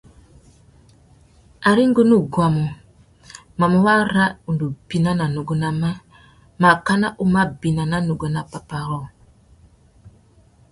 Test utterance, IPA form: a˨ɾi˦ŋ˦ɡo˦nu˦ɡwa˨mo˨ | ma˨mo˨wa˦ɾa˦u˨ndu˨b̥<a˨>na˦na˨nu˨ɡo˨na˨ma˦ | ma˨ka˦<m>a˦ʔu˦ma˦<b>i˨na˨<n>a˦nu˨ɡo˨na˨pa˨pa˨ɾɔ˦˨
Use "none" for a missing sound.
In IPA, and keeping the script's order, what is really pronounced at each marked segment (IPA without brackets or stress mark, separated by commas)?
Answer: i˨, n, b, n